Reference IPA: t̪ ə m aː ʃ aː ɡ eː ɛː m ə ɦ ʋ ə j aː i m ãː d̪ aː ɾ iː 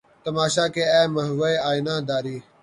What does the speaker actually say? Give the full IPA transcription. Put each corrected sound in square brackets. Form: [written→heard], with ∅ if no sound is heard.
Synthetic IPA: t̪ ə m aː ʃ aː [ɡ→k] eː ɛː m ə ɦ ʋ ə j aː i [m→n] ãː d̪ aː ɾ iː